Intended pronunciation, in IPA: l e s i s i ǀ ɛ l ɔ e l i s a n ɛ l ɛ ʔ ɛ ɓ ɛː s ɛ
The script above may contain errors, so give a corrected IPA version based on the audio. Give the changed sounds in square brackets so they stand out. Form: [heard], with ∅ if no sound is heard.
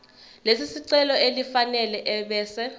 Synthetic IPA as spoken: l e s i s i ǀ ɛ l ɔ e l i [f] a n ɛ l ɛ ʔ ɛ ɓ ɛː s ɛ